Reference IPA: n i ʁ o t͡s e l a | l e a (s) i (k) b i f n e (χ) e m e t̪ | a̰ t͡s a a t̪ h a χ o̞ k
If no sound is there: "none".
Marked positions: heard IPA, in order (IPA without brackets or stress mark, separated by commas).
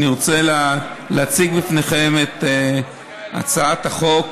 t͡s, ɡ, χ